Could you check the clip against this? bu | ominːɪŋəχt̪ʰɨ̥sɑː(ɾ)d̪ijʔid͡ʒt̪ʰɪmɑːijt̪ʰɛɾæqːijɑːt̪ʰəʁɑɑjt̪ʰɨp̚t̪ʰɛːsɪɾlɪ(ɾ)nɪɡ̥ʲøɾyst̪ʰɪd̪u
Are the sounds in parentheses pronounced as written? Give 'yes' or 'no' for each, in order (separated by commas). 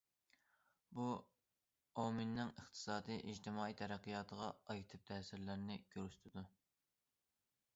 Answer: no, yes